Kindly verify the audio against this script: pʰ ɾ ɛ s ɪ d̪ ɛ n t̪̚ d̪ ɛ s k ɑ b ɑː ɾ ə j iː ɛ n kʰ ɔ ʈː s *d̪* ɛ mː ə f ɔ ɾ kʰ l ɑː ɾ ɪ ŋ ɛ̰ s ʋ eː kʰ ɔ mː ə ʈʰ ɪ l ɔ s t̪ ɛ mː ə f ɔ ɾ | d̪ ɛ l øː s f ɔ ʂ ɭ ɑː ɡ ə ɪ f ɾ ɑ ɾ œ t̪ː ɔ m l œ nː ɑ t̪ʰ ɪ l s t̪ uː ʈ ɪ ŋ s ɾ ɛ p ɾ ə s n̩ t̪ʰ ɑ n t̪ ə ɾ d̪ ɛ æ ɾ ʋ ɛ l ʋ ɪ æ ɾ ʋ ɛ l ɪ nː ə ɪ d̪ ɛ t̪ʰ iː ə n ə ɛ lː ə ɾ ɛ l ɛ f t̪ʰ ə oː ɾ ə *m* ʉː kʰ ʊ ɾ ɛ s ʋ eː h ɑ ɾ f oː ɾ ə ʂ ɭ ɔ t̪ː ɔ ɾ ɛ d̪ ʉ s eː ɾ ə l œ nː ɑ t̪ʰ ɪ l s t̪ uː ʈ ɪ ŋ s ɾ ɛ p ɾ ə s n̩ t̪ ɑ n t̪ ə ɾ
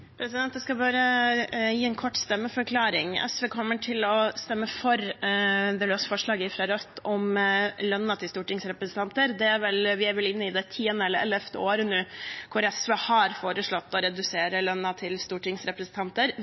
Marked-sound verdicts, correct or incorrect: incorrect, incorrect

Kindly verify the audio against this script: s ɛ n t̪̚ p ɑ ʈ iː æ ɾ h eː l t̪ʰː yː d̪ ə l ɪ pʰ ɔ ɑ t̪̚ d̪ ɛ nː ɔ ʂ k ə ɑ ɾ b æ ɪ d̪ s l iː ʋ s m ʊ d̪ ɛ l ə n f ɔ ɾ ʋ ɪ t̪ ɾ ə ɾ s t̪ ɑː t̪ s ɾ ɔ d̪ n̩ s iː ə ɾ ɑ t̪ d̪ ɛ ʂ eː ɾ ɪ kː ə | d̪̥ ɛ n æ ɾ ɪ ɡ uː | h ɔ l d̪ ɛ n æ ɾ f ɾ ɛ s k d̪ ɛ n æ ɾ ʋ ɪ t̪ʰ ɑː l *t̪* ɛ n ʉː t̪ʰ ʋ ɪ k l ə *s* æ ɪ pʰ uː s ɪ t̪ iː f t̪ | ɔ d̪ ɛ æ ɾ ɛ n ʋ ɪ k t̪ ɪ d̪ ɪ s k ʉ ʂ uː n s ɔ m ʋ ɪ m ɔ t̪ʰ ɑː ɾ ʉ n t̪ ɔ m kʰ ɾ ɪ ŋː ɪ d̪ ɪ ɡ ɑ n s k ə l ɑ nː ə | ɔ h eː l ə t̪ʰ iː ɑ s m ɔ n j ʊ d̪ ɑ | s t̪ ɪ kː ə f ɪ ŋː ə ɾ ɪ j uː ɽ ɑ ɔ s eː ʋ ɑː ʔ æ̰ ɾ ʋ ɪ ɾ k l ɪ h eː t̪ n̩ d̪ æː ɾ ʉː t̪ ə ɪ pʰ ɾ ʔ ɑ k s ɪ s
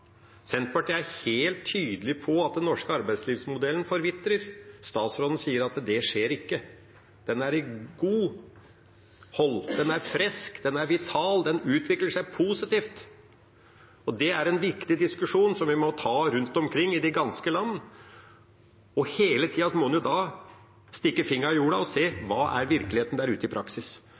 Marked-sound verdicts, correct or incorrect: incorrect, incorrect

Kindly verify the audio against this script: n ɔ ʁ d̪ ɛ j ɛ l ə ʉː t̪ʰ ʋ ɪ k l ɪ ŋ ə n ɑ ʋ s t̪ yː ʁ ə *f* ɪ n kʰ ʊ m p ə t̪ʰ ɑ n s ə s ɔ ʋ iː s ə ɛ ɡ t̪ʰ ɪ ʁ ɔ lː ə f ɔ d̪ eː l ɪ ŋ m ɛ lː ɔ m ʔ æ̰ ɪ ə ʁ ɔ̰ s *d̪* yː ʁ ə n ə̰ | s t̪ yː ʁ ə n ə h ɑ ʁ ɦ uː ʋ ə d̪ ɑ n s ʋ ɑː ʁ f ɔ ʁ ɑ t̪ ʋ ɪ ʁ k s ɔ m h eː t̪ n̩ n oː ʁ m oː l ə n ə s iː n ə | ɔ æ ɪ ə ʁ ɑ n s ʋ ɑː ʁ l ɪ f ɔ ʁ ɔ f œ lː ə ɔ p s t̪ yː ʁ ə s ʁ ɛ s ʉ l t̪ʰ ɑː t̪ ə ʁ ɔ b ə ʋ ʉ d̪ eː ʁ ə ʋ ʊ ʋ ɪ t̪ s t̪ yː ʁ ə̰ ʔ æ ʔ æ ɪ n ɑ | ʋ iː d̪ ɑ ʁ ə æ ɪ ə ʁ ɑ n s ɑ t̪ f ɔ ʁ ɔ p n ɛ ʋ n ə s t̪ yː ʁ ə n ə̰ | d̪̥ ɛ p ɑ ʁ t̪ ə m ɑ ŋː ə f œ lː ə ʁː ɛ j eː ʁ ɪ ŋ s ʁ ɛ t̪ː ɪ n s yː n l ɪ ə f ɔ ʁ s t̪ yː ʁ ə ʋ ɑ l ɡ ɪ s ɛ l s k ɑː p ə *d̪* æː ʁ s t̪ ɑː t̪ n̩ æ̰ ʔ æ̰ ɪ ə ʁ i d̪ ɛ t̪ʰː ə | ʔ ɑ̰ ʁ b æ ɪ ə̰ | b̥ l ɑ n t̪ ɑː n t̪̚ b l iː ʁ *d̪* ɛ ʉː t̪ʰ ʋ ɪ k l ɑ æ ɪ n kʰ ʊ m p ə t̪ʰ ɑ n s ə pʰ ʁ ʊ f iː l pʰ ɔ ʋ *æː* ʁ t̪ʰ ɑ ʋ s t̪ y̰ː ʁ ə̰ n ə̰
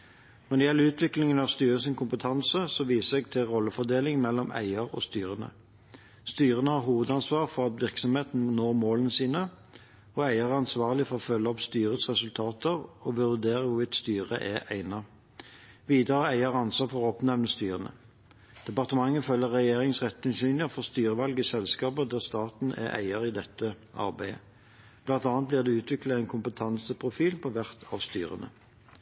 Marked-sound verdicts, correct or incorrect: incorrect, incorrect, correct, correct, incorrect

